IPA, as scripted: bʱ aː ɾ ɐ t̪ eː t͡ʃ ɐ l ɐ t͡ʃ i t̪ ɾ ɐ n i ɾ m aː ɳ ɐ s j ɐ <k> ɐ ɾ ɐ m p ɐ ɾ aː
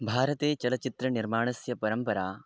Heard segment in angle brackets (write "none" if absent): p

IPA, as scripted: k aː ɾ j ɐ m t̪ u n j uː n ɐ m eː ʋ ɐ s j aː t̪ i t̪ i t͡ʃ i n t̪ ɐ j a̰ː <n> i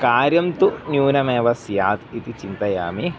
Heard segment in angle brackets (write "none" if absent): m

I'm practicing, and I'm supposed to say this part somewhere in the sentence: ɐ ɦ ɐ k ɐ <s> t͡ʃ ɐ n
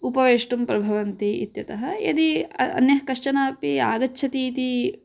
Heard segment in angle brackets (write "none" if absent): ʂ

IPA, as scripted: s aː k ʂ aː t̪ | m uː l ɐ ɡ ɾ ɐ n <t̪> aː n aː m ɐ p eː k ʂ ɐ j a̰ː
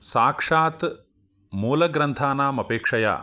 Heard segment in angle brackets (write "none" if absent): t̪ʰ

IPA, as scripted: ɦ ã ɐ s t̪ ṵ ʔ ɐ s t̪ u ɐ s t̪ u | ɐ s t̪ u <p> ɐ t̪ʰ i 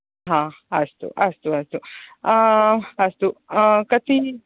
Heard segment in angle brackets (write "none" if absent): k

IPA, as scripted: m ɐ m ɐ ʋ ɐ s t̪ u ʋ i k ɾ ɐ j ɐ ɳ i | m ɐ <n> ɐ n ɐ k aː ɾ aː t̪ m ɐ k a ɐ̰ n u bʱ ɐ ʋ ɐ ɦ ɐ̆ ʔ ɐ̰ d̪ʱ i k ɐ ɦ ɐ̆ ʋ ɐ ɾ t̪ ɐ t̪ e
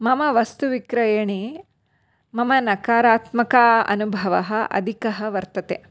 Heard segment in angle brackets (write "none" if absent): m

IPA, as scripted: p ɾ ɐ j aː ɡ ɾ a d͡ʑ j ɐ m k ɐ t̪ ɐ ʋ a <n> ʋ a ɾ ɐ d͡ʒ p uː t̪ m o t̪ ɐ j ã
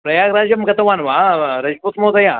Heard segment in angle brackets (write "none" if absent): n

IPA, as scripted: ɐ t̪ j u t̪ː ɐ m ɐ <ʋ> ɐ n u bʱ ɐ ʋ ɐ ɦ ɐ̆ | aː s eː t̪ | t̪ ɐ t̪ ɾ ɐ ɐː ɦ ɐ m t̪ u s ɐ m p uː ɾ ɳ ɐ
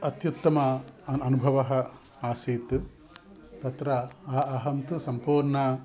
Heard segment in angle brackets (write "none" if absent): none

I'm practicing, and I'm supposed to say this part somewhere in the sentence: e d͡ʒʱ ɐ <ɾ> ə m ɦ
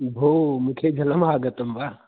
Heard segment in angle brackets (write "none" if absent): l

